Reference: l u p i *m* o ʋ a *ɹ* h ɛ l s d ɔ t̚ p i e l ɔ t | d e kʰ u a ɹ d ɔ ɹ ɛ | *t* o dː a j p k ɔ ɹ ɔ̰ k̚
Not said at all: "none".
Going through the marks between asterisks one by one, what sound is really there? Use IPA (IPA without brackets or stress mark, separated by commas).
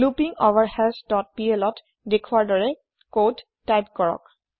ŋ, ɹ, k